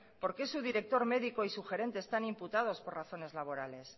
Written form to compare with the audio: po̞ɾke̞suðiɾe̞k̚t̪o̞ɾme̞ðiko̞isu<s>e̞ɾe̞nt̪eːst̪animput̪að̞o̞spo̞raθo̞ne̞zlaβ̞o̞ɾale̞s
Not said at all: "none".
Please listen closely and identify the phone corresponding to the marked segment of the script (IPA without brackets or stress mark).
x